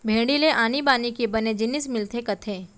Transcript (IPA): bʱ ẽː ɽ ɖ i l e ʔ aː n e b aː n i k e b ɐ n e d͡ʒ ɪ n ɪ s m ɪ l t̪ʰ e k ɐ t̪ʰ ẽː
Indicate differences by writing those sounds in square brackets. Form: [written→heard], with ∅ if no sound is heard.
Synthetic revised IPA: bʱ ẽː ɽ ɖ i l e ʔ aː n [e→i] b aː n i k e b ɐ n e d͡ʒ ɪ n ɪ s m ɪ l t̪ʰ e k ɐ t̪ʰ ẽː